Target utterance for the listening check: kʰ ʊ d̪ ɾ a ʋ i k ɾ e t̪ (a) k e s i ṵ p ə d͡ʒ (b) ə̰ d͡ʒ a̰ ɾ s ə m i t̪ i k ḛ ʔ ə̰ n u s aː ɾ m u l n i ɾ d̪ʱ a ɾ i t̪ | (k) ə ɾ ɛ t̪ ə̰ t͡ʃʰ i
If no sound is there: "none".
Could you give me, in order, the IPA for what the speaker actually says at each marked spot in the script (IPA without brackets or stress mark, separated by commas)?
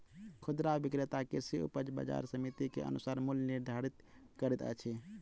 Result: a, b, k